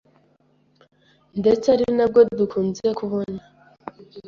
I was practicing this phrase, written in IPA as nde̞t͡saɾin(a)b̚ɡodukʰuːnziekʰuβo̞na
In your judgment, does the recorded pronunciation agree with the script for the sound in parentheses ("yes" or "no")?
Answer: yes